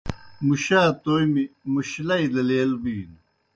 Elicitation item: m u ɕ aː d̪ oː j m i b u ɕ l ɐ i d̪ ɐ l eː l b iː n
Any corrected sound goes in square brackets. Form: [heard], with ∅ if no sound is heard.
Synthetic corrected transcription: m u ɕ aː [t̪] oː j m i [m] u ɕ l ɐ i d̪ ɐ l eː l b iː n